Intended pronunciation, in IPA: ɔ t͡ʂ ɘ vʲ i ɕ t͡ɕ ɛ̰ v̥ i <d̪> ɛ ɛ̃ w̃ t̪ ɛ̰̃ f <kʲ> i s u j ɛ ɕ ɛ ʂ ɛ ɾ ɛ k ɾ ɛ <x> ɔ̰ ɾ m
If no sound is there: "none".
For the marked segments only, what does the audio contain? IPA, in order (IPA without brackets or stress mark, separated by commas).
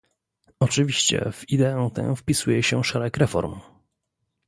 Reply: d̪, pʲ, f